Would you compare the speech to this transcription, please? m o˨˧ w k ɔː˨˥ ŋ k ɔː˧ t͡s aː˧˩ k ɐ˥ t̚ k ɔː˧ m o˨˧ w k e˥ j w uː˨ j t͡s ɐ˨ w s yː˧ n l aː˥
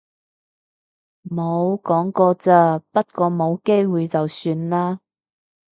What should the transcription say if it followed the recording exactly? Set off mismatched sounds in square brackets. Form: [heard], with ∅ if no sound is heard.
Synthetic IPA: m o˨˧ w k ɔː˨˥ ŋ k ɔː˧ t͡s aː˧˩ [p] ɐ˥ t̚ k ɔː˧ m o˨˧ w k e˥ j w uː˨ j t͡s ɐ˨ w s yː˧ n l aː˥